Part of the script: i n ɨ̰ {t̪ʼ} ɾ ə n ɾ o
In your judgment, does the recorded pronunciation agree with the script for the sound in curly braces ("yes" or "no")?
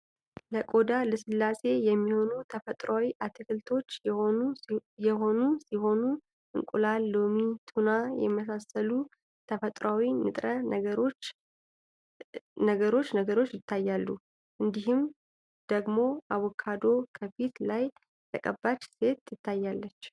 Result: yes